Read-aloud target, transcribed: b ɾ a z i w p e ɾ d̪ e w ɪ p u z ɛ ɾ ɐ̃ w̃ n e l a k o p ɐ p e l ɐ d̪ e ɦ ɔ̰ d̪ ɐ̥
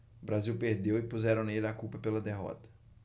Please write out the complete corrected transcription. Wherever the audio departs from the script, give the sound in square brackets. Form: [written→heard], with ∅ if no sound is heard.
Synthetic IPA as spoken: b ɾ a z i w p e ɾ d̪ e w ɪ p u z ɛ ɾ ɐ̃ w̃ n e l a k [o→u] p ɐ p e l ɐ d̪ e ɦ ɔ̰ [d̪→t̪] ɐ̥